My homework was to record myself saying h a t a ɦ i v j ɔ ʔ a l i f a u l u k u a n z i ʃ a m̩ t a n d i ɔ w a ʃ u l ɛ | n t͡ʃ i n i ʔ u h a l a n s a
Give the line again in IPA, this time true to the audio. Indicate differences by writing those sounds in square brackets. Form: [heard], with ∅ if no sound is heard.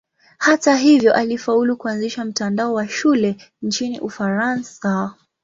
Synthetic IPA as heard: h a t a ɦ i v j ɔ ʔ a l i f a u l u k u a n z i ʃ a m̩ t a n d [a] ɔ w a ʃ u l ɛ | n t͡ʃ i n i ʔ u [f] a [ɾ] a n s a

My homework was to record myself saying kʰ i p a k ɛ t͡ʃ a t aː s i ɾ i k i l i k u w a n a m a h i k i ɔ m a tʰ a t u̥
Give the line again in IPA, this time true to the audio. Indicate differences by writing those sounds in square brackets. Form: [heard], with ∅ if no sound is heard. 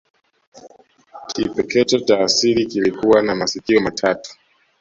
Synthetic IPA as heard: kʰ i p [ɛ] k ɛ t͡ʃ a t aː s i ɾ i k i l i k u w a n a m a [s] i k i ɔ m a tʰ a t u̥

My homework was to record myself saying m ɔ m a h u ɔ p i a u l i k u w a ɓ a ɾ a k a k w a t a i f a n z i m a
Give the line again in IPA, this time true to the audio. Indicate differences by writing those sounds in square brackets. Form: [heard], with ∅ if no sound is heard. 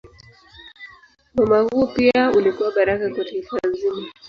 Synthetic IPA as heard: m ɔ m a h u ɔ p i a u l i k u w a ɓ a ɾ a k a k w a t a i f a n z i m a

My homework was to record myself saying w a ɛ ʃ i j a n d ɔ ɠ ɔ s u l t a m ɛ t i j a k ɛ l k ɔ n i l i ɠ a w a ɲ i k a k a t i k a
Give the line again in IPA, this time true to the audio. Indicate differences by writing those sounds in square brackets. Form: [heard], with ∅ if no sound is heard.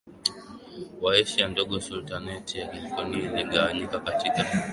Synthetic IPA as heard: w a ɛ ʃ i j a n d ɔ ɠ ɔ s u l t a [n] ɛ t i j a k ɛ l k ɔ n i l i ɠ a w a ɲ i k a k a t i k a

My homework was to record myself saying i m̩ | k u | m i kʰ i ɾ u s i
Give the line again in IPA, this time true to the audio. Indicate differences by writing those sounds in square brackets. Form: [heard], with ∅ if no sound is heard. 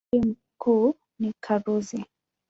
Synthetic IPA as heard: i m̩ | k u | [n] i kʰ [a] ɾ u [z] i

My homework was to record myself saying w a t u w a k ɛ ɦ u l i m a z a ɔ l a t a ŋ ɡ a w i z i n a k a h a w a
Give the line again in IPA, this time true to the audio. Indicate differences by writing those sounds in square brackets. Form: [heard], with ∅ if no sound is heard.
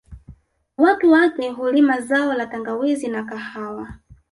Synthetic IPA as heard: w a t u w a k ɛ ɦ u l i m a z a ɔ l a t a ŋ ɡ a w i z i n a k a h a w a

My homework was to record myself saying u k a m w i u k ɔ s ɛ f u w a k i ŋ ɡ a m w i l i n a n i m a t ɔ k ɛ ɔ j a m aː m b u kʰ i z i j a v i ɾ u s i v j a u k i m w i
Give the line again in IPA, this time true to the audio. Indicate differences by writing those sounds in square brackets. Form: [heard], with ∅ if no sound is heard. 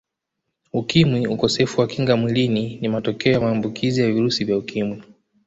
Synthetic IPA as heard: u k [i] m w i u k ɔ s ɛ f u w a k i ŋ ɡ a m w i l i n [i] n i m a t ɔ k ɛ ɔ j a m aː m b u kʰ i z i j a v i ɾ u s i v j a u k i m w i

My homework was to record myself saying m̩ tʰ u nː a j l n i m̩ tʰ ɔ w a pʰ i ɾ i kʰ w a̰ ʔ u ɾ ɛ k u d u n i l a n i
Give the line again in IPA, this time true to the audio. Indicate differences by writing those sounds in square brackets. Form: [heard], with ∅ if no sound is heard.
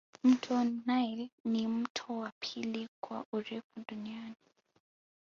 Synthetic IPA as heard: m̩ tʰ [ɔ] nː a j l n i m̩ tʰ ɔ w a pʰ i [l] i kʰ w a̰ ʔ u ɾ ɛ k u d u n i [∅] a n i

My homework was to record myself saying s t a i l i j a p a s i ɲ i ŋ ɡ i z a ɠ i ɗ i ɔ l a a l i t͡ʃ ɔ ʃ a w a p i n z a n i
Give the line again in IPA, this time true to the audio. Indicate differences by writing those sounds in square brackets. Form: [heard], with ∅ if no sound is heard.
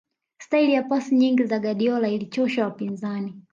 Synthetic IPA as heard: s t a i l i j a p a s i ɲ i ŋ ɡ i z a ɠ [a] ɗ i ɔ l a [i] l i t͡ʃ ɔ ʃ a w a p i n z a n i

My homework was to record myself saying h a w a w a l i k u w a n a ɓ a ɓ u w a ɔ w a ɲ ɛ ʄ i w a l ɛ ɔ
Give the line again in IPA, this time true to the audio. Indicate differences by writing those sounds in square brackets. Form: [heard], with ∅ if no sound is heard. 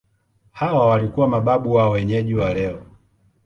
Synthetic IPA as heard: h a w a w a l i k u w a [m] a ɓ a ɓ u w a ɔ w [ɛ] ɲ ɛ ʄ i w a l ɛ ɔ

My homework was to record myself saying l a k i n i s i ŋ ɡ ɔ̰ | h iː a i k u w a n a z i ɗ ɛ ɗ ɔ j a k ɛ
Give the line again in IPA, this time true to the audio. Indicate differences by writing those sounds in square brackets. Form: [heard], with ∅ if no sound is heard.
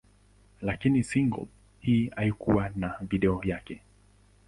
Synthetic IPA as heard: l a k i n i s i ŋ ɡ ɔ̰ | h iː a i k u w a n a [v] i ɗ ɛ [∅] ɔ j a k ɛ

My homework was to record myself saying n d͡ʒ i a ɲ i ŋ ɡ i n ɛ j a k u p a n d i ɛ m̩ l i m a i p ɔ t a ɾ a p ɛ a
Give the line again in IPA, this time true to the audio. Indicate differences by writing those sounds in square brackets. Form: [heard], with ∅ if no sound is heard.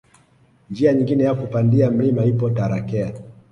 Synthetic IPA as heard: n d͡ʒ i a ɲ i ŋ ɡ i n ɛ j a k u p a n d i [a] m̩ l i m a i p ɔ t a ɾ a [k] ɛ a

